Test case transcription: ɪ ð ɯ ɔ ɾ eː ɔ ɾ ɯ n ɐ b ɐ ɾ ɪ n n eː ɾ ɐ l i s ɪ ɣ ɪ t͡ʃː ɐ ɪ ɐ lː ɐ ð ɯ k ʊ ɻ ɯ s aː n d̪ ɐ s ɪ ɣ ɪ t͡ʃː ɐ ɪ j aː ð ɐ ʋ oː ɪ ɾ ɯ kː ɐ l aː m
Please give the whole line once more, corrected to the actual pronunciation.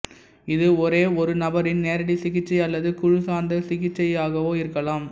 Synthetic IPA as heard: ɪ ð ɯ ɔ ɾ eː ɔ ɾ ɯ n ɐ b ɐ ɾ ɪ n n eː ɾ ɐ ɽ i s ɪ ɣ ɪ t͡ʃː ɐ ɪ ɐ lː ɐ ð ɯ k ʊ ɻ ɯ s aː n d̪ ɐ s ɪ ɣ ɪ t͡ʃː ɐ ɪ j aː ɣ ɐ ʋ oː ɪ ɾ ɯ kː ɐ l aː m